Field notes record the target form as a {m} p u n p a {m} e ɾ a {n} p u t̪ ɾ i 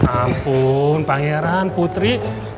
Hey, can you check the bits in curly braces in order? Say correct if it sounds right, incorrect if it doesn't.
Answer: correct, incorrect: ŋ, correct

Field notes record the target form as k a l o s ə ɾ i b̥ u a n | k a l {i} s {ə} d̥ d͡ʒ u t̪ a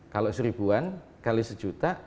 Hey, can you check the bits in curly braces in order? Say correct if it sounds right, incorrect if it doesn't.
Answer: correct, correct

